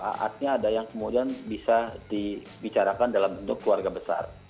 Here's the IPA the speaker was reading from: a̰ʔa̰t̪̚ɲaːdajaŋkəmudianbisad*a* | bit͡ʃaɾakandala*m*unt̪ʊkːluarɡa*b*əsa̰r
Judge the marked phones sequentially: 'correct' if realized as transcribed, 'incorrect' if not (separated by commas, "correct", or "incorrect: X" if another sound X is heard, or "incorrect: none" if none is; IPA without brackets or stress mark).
incorrect: i, correct, correct